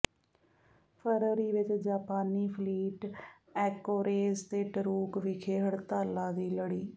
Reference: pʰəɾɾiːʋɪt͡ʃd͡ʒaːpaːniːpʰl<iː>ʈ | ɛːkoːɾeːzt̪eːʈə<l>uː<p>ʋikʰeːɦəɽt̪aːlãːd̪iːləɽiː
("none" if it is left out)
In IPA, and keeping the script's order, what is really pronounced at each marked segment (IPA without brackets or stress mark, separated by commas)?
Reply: iː, ɾ, k